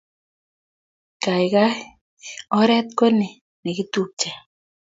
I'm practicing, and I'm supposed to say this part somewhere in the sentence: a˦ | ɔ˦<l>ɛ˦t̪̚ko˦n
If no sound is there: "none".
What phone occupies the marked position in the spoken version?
ɾ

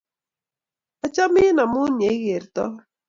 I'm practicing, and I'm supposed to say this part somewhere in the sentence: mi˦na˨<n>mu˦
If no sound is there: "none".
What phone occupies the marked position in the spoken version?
none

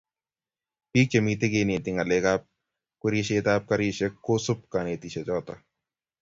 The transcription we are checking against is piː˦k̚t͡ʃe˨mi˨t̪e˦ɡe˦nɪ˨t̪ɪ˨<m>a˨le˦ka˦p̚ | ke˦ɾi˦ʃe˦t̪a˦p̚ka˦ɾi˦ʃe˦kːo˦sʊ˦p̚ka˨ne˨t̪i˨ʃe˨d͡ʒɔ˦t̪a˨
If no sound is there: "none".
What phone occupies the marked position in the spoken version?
ŋ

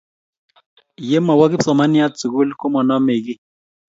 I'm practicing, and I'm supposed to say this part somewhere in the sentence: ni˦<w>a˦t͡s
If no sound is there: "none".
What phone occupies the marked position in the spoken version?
none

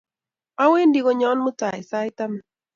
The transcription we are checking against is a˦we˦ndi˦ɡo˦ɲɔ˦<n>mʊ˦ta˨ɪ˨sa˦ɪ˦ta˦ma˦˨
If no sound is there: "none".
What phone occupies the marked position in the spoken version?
n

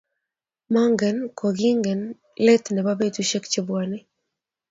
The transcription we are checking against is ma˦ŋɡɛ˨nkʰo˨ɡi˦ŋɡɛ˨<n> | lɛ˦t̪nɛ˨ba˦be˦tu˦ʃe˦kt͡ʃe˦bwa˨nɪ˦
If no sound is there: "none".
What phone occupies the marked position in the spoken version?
n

